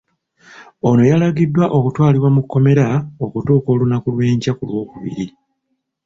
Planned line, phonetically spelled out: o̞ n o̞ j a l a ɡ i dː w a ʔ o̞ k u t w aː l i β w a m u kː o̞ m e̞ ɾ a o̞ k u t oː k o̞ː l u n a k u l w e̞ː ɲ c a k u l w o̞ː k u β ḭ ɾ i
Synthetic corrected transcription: o̞ n o̞ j a l a ɡ i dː w a ʔ o̞ k u t w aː l i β w a m u kː o̞ m e̞ ɾ a o̞ k u t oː k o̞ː l u n a k u l w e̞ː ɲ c a k u l w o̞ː k u β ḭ ɾ i